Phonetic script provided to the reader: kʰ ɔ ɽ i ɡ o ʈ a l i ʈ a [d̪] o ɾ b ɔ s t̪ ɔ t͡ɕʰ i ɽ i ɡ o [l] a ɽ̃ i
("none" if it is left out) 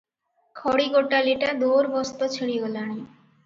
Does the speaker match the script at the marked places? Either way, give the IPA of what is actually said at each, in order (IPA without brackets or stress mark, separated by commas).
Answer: d̪, l